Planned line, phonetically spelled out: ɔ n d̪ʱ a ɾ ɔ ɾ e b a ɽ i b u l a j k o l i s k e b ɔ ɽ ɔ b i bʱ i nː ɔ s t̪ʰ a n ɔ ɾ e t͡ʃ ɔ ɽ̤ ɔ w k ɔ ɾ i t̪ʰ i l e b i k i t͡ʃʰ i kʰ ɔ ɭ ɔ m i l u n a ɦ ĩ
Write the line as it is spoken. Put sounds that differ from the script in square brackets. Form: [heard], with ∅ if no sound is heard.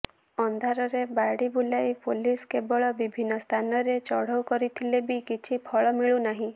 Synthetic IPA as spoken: ɔ n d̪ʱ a ɾ ɔ ɾ e b a ɽ i b u l a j [p] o l i s k e b ɔ [ɭ] ɔ b i bʱ i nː ɔ s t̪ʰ a n ɔ ɾ e t͡ʃ ɔ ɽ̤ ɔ w k ɔ ɾ i t̪ʰ i l e b i k i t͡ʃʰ i [pʰ] ɔ ɭ ɔ m i [ɭ] u n a ɦ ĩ